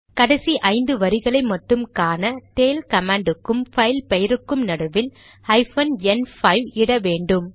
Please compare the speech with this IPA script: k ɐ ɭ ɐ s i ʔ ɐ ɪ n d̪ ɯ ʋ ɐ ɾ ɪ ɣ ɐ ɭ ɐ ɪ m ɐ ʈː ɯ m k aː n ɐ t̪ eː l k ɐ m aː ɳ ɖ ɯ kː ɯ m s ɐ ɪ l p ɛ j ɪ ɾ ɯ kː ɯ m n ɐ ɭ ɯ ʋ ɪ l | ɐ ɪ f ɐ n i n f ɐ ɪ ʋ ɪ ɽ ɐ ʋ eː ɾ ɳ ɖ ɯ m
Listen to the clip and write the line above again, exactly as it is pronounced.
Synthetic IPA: k ɐ ɽ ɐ s i ʔ ɐ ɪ n d̪ ɯ ʋ ɐ ɾ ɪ ɣ ɐ ɭ ɐ ɪ m ɐ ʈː ɯ m k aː n ɐ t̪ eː l k ɐ m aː ɳ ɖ ɯ kː ɯ m f ɐ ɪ l p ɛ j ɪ ɾ ɯ kː ɯ m n ɐ ɽ ɯ ʋ ɪ l | ɐ ɪ f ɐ n ɛ n f ɐ ɪ ʋ ɪ ɽ ɐ ʋ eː ɳ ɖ ɯ m